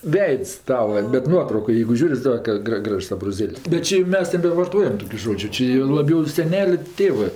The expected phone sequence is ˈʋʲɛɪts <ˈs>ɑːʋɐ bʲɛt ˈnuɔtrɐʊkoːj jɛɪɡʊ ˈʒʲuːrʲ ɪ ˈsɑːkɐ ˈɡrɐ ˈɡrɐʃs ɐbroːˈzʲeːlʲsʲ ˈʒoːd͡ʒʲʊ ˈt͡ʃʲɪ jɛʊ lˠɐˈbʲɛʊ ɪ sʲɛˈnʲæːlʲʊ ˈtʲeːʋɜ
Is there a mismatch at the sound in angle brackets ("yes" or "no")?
yes